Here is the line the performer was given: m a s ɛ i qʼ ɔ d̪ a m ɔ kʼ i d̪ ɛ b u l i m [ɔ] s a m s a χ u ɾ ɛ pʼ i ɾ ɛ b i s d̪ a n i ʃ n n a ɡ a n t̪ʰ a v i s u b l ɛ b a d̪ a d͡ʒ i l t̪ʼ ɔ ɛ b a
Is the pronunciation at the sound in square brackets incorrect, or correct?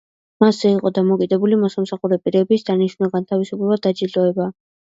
correct